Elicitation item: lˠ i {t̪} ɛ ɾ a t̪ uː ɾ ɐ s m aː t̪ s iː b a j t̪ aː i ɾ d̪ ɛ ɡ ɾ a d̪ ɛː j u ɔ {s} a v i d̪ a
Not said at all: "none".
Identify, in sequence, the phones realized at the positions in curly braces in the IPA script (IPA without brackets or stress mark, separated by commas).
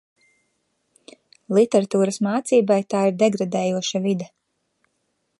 t̪, ʃ